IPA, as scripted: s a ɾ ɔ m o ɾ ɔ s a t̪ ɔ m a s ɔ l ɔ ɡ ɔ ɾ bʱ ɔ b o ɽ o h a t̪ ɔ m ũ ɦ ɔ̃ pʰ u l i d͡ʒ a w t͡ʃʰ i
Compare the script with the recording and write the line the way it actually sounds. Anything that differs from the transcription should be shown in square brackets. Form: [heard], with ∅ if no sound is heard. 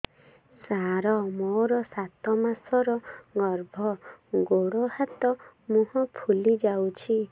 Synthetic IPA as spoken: s a ɾ ɔ m o ɾ ɔ s a t̪ ɔ m a s ɔ [ɾ] ɔ ɡ ɔ ɾ bʱ ɔ [ɡ] o ɽ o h a t̪ ɔ m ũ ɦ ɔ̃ pʰ u l i d͡ʒ a w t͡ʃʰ i